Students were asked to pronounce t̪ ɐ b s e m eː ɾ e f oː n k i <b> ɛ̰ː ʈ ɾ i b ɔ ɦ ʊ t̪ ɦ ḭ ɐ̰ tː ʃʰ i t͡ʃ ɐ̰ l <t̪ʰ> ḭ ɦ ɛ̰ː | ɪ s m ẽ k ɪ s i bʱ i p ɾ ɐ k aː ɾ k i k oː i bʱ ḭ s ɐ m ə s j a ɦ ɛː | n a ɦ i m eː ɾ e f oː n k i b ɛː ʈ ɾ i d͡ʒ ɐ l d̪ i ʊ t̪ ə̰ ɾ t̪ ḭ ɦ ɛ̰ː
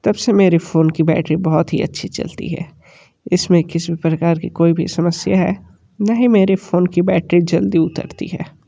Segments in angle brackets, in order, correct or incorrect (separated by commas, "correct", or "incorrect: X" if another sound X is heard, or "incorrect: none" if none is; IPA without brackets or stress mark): correct, incorrect: t̪